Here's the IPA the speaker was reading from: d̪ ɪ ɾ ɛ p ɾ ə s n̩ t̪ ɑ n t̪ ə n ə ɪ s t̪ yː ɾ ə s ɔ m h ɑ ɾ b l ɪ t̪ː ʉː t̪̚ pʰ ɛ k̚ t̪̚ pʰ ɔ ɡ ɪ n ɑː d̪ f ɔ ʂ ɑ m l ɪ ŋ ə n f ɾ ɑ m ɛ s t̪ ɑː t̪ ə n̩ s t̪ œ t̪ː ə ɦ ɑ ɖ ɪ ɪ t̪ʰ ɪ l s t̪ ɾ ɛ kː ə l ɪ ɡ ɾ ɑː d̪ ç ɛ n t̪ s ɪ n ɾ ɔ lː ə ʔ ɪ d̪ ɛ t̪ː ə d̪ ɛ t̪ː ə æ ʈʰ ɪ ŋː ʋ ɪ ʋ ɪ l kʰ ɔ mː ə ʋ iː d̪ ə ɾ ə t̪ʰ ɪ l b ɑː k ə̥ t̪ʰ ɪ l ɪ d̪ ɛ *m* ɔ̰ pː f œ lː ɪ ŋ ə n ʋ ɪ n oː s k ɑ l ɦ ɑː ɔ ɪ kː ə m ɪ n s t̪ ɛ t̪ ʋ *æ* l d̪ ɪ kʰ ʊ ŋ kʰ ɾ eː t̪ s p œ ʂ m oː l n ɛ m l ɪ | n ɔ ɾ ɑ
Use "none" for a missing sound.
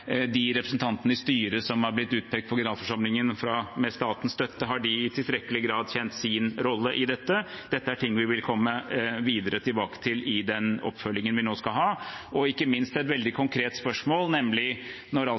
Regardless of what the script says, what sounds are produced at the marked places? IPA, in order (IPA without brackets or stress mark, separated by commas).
n, ɛ